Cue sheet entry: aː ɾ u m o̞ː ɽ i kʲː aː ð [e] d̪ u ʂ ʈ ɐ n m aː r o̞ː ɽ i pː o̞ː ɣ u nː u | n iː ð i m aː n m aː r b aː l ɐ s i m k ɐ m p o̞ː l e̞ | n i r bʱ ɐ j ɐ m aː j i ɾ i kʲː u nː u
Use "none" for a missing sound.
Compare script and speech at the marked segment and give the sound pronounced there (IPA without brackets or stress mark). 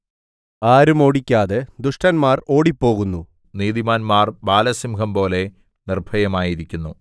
e